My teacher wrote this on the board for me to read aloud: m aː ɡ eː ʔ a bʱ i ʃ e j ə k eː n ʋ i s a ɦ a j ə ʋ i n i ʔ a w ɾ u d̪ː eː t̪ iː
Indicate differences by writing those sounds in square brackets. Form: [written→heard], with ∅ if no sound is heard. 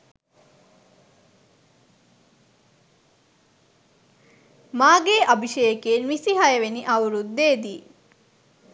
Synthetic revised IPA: m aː ɡ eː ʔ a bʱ i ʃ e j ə k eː n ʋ i s [a→i] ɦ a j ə ʋ [i→e] n i ʔ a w ɾ u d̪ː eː [t̪→d̪] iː

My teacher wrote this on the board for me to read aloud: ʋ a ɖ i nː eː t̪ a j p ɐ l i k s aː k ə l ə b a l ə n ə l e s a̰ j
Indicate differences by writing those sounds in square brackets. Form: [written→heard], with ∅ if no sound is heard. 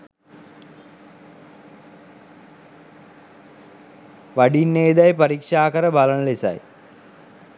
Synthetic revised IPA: ʋ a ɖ i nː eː [t̪→d̪] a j p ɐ [l→ɾ] i k [s→ʂ] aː k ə [l→ɾ] ə b a l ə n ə l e s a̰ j

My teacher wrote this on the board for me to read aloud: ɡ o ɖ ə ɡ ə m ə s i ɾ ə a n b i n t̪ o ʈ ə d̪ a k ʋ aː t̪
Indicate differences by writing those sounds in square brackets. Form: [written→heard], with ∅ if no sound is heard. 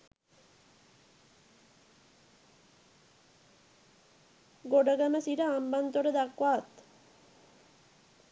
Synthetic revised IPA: ɡ o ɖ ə ɡ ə m ə s i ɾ ə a [n→m] b [i→a] n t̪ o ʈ ə d̪ a k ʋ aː t̪

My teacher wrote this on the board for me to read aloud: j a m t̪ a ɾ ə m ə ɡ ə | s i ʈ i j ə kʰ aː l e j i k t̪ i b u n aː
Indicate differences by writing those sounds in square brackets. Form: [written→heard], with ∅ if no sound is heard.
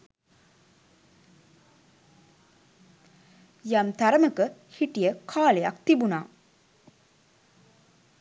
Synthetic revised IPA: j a m t̪ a ɾ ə m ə [ɡ→k] ə | [s→h] i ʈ i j ə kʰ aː l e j [i→a] k t̪ i b u n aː

